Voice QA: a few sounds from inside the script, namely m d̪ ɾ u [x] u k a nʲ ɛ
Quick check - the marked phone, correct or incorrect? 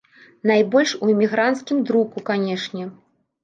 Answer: incorrect